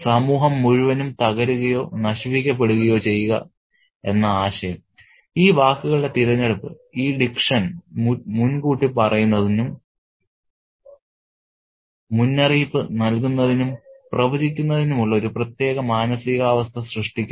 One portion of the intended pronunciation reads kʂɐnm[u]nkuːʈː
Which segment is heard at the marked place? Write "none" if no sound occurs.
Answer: u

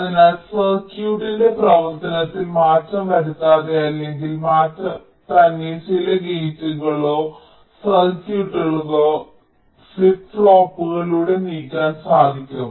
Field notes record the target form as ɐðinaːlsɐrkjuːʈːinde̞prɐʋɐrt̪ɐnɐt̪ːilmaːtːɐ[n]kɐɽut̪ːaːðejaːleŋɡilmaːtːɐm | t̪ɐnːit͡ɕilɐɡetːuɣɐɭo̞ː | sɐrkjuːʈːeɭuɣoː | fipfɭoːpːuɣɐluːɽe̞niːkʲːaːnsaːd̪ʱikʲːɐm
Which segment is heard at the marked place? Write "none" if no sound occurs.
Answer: m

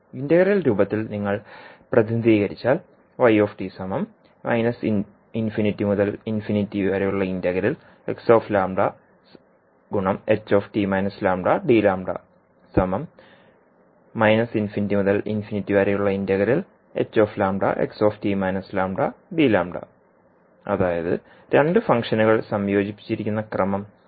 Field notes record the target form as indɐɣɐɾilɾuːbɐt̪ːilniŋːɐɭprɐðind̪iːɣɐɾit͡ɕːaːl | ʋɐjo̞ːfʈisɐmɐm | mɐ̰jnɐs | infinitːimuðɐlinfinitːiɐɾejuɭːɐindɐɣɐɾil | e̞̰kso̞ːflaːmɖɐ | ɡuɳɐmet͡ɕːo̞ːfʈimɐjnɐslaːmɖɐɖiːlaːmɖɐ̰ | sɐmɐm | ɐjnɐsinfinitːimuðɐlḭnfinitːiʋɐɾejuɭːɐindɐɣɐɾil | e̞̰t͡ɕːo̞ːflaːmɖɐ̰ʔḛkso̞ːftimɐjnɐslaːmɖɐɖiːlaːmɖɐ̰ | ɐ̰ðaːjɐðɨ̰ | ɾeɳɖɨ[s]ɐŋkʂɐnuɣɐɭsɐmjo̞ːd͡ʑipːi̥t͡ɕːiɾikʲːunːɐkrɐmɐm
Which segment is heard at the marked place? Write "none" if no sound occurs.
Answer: f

